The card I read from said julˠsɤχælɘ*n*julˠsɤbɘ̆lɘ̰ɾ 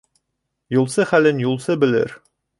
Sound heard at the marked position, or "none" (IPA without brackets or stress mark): n